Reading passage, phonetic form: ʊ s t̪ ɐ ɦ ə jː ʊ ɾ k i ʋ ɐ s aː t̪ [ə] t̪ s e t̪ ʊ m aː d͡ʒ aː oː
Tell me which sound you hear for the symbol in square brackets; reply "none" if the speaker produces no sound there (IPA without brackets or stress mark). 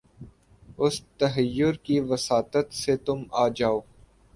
ə